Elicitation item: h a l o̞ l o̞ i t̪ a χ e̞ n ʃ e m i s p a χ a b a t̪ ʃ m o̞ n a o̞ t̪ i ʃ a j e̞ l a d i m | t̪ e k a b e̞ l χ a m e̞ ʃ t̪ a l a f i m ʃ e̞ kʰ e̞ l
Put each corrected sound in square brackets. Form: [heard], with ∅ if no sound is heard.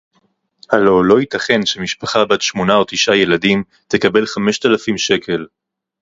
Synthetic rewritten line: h a l o̞ l o̞ i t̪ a χ e̞ n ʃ e m i [ʃ] p a χ a b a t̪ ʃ m o̞ n a o̞ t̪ i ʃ a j e̞ l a d i m | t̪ e k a b e̞ l χ a m e̞ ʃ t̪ a l a f i m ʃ e̞ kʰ e̞ l